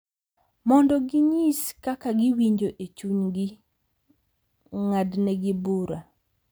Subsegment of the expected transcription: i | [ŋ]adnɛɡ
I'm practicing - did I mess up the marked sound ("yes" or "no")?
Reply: no